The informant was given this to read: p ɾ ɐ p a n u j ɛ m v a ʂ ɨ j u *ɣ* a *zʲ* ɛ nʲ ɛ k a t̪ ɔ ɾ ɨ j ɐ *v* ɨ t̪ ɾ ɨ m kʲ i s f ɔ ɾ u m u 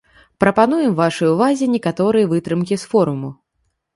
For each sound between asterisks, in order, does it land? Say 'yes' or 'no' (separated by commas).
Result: no, yes, yes